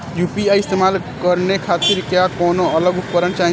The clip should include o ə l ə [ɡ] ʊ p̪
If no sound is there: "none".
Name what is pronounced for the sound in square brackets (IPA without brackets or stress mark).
ɡ